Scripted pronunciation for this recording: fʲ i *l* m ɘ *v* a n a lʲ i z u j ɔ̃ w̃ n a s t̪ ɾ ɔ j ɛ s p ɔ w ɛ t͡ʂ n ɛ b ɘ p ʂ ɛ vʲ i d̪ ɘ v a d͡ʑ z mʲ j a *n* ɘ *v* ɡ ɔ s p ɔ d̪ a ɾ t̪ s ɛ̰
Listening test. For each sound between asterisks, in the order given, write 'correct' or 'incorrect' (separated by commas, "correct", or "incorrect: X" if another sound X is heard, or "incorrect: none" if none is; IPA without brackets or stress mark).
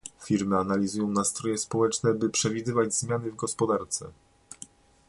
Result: incorrect: ɾ, incorrect: none, correct, correct